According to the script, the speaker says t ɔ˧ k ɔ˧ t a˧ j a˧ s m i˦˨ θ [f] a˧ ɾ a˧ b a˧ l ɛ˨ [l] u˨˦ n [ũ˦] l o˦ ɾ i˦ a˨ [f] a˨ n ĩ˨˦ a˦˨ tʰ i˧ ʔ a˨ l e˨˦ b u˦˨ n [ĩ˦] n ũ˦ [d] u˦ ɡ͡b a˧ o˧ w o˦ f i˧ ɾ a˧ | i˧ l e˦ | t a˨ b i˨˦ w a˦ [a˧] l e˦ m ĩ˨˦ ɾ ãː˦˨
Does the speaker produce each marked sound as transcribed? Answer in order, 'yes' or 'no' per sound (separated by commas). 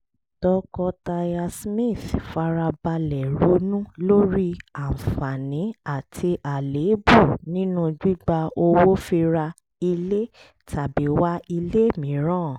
yes, no, yes, yes, yes, no, no